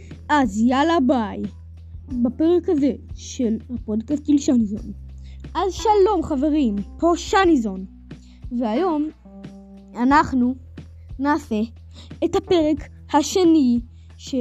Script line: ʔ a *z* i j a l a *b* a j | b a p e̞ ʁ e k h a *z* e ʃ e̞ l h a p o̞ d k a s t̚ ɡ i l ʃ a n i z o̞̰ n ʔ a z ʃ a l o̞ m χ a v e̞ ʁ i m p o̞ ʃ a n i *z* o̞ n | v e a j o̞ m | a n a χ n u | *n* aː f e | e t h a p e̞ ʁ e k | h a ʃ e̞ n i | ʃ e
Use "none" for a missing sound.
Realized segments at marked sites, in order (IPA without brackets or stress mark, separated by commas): z, b, z, z, n